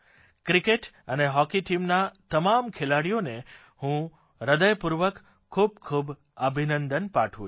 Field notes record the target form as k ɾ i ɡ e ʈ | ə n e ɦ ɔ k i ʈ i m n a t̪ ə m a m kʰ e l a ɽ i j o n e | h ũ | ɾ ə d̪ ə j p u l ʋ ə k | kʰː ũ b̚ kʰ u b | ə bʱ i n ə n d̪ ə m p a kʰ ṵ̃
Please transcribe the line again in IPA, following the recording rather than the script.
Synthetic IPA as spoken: k ɾ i k e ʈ | ə n e ɦ ɔ k i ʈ i m n a t̪ ə m a m kʰ e l a ɽ i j o n e | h ũ | ɾ ə d̪ ə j p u ɾ ʋ ə k | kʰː u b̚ kʰ u b | ə bʱ i n ə n d̪ ə n p a ʈʰ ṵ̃